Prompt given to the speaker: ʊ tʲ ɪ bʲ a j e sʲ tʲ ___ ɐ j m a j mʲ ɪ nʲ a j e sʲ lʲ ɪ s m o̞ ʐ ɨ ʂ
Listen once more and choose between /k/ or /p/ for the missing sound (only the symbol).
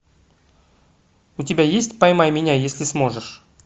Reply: p